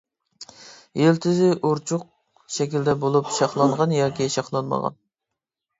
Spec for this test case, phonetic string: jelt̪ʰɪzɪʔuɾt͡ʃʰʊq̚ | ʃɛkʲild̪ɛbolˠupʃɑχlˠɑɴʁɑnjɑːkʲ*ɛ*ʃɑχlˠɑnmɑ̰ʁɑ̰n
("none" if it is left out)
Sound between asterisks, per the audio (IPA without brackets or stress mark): i